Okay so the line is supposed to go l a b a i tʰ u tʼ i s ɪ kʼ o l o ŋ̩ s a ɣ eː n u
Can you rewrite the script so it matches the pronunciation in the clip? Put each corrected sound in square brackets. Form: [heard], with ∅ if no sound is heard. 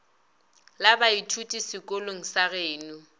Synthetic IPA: l a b a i tʰ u tʼ i s ɪ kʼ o l o ŋ̩ s a ɣ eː n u